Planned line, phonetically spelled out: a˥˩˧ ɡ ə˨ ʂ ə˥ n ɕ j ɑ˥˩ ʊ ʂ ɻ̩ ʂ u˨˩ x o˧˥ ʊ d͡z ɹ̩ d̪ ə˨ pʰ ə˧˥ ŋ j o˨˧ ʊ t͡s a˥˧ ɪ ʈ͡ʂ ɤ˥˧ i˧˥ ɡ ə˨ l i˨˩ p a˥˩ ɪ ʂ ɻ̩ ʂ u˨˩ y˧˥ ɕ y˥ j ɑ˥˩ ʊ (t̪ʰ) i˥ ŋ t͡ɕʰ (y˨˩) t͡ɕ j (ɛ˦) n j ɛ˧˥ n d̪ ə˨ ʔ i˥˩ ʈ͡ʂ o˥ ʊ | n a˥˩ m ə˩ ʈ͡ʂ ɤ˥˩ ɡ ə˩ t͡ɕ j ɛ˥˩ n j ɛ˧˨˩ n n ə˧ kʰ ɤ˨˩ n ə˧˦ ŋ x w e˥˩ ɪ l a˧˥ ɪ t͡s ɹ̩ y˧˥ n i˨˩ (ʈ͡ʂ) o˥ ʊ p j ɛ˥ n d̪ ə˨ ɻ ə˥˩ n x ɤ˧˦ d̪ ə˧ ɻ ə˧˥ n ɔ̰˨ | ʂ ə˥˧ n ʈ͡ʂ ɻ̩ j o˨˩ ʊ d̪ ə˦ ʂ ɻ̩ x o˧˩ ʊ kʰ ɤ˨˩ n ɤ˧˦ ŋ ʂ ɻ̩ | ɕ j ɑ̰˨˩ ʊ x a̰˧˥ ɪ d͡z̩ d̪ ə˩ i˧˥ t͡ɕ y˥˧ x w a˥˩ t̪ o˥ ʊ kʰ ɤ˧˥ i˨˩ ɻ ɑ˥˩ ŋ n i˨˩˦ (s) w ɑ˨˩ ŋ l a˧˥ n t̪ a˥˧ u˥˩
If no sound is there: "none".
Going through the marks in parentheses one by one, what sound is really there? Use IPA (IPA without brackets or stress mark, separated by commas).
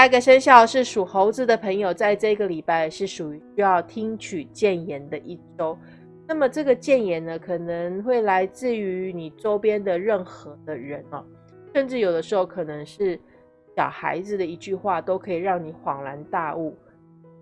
t̪ʰ, y˨˩, ɛ˥˩, ʈ͡ʂ, x